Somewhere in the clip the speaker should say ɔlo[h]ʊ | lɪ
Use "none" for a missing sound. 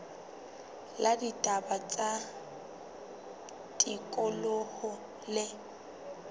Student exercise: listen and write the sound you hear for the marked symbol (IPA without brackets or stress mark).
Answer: h